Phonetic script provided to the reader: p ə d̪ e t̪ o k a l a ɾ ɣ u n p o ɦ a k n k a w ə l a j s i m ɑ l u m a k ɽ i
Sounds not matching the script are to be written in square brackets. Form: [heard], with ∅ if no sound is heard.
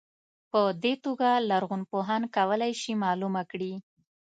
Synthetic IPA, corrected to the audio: p ə d̪ e t̪ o [ɡ] a l a ɾ ɣ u n p o ɦ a [∅] n k a w ə l a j [ʃ] i m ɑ l u m a k ɽ i